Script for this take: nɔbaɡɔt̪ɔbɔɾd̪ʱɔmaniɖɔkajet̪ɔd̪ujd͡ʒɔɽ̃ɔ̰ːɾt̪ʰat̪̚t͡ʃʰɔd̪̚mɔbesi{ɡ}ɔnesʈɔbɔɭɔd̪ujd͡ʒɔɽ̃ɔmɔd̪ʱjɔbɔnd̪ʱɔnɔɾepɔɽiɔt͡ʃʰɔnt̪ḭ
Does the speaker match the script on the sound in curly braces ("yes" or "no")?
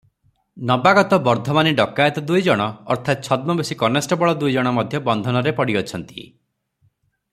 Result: no